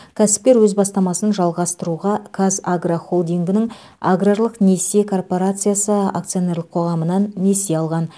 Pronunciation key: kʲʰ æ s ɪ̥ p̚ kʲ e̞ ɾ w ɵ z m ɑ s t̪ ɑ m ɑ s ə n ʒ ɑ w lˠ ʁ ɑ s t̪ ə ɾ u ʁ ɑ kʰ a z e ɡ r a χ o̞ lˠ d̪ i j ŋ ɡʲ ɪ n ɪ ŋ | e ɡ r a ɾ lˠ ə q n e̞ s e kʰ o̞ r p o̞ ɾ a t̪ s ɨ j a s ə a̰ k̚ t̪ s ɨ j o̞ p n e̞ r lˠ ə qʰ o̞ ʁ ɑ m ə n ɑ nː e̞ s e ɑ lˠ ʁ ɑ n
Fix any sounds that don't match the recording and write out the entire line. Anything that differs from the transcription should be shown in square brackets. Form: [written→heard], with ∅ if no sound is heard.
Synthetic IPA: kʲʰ æ s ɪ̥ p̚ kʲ e̞ ɾ w ɵ z [m→b] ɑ s t̪ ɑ m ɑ s ə n ʒ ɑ [w→∅] lˠ ʁ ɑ s t̪ ə ɾ u ʁ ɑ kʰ a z [e→a] ɡ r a χ o̞ lˠ d̪ i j ŋ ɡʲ ɪ n ɪ ŋ | [e→a] ɡ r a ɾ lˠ ə q n e̞ s e kʰ o̞ r p o̞ ɾ a t̪ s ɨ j a s ə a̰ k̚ t̪ s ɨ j o̞ [p→∅] n e̞ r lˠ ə qʰ o̞ ʁ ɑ m ə n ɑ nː e̞ s e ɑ lˠ ʁ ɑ n